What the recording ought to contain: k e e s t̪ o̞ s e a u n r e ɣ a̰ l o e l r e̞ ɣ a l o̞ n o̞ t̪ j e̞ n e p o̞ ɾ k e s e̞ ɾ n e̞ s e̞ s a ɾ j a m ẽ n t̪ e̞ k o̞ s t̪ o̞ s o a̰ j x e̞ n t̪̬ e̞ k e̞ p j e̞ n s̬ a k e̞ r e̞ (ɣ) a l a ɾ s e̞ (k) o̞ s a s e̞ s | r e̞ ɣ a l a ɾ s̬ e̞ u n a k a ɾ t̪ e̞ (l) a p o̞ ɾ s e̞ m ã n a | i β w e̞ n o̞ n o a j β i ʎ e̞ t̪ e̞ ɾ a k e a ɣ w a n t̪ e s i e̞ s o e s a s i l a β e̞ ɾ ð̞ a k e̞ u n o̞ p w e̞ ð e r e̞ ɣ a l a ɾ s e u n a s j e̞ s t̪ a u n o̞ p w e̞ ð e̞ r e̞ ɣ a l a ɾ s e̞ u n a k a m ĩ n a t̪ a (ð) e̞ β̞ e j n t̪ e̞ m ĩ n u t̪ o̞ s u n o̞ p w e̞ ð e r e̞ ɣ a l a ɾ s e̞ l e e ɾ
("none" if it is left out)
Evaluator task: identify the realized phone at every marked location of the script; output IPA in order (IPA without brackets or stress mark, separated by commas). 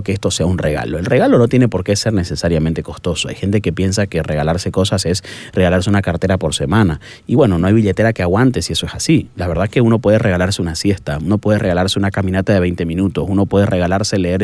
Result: ɣ, k, ɾ, ð